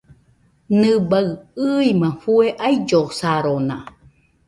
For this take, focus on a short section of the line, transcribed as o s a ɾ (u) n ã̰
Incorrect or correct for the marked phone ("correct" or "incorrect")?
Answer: incorrect